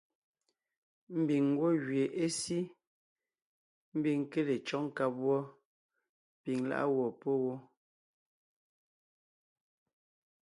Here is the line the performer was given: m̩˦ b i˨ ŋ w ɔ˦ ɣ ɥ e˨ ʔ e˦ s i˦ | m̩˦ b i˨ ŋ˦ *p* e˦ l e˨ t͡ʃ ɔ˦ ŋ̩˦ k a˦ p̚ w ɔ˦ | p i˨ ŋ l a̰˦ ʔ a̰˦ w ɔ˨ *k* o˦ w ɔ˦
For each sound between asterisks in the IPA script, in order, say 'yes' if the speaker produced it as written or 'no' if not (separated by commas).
no, no